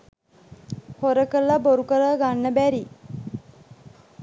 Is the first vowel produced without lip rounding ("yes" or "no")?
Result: no